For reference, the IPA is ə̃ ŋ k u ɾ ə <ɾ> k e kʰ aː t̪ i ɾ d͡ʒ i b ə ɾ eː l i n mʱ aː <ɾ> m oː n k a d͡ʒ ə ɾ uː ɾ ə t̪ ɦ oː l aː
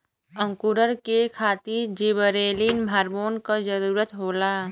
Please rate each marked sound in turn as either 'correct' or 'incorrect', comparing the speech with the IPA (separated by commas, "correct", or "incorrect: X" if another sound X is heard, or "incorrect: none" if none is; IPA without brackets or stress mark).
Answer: correct, correct